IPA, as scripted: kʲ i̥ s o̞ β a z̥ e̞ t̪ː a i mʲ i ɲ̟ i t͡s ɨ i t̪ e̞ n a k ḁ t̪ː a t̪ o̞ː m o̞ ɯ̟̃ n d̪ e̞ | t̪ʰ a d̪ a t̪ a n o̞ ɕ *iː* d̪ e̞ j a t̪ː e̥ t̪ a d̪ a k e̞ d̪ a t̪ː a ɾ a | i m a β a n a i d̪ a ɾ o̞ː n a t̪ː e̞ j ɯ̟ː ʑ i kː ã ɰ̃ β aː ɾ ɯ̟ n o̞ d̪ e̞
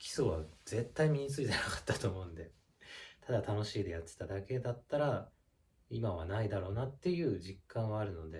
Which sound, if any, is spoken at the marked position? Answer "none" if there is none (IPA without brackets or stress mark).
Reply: iː